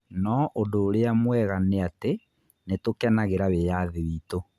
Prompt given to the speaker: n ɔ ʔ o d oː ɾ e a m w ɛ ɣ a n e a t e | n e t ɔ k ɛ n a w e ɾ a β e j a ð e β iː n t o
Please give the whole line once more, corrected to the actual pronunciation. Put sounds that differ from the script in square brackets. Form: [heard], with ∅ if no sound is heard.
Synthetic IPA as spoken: n ɔ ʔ o d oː ɾ e a m w ɛ ɣ a n e a t e | n e t [o] k ɛ n a [ɣ] e ɾ a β e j a ð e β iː [∅] t o